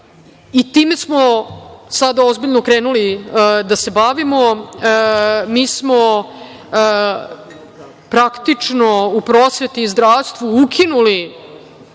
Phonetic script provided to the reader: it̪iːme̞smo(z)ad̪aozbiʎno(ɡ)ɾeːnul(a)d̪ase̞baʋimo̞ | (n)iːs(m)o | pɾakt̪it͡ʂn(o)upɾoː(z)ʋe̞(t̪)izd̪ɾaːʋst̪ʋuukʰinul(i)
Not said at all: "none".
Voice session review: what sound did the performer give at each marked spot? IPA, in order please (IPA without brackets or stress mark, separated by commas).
s, k, i, m, m, o, s, t̪, i